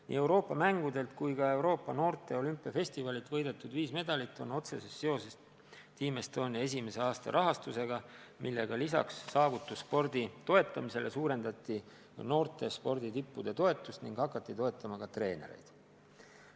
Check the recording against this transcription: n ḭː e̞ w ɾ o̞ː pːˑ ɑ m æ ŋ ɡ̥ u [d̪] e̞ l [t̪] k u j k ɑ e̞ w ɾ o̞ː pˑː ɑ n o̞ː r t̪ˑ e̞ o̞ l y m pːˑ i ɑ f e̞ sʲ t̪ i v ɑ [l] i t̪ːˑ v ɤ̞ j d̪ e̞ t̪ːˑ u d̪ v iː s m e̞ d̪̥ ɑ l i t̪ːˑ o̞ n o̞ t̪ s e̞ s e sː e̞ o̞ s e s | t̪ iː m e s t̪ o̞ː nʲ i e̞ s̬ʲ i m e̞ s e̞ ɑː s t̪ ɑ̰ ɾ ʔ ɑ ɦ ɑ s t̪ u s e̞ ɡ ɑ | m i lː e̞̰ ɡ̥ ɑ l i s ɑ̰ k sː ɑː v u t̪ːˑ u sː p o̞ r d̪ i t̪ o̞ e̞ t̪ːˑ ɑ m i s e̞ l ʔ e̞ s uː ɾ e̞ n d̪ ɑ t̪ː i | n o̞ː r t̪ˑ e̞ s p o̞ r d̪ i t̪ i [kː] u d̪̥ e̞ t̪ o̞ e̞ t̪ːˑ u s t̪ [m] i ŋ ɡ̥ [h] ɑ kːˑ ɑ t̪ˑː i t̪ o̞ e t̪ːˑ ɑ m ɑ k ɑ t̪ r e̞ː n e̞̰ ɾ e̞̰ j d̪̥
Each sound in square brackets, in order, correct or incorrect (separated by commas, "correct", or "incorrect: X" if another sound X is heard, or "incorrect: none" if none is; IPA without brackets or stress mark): correct, correct, correct, incorrect: pː, incorrect: n, correct